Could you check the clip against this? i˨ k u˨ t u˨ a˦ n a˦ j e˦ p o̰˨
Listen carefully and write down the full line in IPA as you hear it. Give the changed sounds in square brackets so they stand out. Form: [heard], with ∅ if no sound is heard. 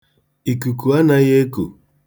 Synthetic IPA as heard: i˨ k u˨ [k] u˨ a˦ n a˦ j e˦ [k] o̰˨